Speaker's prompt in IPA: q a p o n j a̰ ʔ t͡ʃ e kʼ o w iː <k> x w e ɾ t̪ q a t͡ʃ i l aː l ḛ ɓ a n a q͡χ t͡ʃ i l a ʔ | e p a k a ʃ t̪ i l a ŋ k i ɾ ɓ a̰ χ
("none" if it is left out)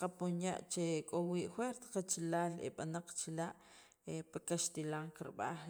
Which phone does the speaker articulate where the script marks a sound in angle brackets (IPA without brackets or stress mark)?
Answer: ʔ